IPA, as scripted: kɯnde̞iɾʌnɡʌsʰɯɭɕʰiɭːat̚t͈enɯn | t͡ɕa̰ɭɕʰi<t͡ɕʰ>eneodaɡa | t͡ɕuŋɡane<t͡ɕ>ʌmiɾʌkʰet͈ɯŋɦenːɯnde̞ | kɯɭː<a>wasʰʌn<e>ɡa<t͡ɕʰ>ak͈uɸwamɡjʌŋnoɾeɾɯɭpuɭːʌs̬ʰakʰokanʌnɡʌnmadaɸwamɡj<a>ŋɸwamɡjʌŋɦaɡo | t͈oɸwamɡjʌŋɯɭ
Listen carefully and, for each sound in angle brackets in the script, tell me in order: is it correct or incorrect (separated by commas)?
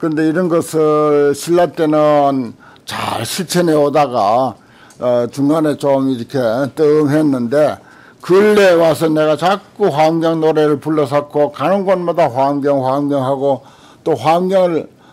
correct, correct, incorrect, correct, incorrect, incorrect